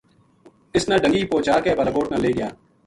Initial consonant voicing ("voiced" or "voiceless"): voiceless